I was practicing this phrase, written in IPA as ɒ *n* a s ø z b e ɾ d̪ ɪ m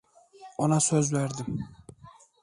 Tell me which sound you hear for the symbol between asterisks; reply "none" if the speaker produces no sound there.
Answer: n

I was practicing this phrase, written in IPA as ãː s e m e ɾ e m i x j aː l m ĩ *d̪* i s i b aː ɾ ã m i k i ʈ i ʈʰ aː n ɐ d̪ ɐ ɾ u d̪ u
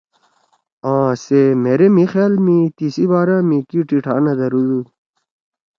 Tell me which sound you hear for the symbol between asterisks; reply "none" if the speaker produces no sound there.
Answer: t̪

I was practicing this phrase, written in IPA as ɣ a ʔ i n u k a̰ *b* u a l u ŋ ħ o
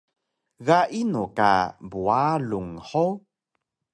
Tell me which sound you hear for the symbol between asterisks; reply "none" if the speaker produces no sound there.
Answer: b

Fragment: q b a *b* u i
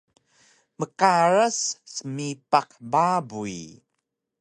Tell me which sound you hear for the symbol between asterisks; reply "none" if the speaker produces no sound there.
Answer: b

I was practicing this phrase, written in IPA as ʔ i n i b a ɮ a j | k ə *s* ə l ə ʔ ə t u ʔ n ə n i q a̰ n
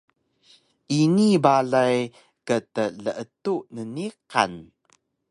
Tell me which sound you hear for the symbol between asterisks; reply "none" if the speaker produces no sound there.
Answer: t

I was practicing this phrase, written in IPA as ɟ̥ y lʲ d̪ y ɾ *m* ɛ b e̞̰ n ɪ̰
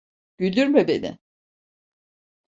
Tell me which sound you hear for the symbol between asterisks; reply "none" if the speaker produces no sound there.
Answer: m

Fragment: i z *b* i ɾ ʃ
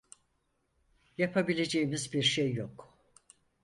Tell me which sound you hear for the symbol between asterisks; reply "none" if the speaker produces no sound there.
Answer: b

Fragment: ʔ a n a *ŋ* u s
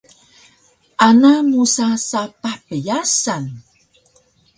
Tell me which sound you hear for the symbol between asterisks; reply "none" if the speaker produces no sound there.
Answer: m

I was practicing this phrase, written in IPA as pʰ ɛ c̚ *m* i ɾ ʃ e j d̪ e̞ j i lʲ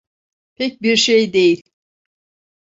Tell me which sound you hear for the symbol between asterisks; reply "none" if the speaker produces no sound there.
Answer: b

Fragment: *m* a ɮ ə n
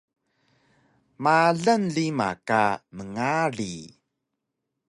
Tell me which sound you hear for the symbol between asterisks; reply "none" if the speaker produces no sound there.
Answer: m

